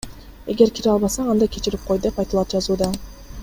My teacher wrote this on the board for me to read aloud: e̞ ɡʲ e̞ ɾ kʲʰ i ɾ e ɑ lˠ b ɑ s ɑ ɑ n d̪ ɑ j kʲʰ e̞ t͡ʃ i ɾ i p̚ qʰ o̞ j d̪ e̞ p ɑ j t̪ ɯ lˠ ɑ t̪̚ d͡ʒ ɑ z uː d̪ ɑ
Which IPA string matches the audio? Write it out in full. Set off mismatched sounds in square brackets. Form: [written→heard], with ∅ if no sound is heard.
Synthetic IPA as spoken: e̞ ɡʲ e̞ ɾ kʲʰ i ɾ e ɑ lˠ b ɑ s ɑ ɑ n d̪ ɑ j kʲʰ e̞ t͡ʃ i ɾ i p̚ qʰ o̞ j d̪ e̞ p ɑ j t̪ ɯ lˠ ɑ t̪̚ d͡ʒ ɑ z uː d̪ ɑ